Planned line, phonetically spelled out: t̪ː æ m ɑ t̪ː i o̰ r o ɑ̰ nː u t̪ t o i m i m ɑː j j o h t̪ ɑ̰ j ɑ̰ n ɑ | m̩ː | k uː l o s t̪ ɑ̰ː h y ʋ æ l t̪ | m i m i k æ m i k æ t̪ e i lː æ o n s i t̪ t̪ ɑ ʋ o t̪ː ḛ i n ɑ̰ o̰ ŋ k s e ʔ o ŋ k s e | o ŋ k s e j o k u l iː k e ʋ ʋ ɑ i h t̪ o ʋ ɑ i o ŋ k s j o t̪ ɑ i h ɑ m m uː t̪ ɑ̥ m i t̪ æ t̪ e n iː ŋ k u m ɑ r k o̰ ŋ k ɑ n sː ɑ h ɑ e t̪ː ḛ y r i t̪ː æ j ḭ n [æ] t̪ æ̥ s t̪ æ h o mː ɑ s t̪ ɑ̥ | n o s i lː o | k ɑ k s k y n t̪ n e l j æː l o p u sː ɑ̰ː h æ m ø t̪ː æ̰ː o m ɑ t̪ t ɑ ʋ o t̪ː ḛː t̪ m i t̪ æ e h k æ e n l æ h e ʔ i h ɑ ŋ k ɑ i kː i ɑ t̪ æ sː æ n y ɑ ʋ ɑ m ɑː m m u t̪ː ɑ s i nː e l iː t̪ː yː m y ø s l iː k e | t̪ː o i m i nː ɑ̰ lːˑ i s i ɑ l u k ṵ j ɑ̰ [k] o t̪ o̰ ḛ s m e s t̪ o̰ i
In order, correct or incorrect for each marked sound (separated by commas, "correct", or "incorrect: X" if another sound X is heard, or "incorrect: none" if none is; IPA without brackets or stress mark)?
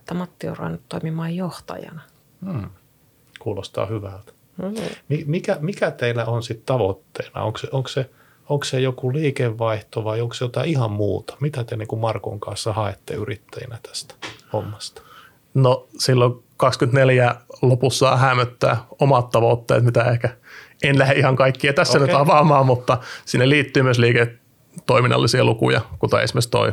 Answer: correct, correct